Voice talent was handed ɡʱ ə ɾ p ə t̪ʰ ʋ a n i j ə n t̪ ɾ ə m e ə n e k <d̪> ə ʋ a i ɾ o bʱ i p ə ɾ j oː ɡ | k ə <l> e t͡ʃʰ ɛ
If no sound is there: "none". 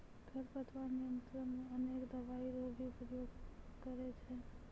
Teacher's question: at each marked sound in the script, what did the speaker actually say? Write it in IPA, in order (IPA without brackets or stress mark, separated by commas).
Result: d̪, ɾ